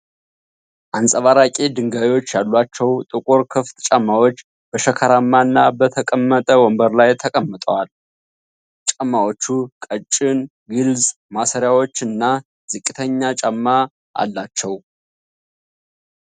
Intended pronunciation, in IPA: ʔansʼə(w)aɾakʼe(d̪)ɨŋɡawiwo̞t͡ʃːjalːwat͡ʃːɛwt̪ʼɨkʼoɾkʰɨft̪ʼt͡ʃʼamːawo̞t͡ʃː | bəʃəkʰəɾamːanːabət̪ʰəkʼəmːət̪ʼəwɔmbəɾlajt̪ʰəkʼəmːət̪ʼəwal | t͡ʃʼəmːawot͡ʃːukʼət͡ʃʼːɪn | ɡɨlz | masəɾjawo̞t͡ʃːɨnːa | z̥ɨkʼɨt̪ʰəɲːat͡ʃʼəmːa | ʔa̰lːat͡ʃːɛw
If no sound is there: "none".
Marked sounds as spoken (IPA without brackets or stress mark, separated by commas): β, d̪